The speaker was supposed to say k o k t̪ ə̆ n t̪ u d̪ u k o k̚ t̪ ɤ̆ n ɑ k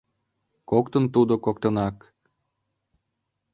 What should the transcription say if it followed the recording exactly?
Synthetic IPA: k o k t̪ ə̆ n t̪ u d̪ o k o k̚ t̪ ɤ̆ n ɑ k